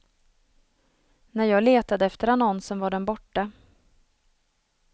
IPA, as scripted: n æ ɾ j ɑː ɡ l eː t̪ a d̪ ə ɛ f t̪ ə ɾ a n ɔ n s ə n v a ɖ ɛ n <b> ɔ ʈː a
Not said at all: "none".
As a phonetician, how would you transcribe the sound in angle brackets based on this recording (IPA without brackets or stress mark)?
b